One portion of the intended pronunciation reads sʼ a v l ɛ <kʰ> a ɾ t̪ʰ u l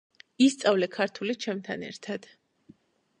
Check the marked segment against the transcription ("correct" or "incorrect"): correct